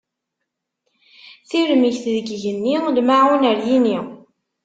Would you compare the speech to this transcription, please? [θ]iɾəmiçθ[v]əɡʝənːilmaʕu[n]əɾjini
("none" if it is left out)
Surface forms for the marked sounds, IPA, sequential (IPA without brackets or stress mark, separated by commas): θ, ð, n